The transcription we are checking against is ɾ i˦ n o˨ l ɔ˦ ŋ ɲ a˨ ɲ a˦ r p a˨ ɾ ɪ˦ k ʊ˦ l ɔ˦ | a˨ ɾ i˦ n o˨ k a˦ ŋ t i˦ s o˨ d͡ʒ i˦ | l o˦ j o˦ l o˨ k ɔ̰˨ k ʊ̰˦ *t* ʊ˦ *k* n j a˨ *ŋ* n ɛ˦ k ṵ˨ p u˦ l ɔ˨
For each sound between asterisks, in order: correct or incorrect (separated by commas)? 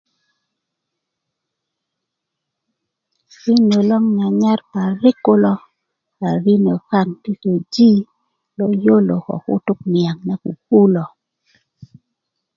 correct, correct, correct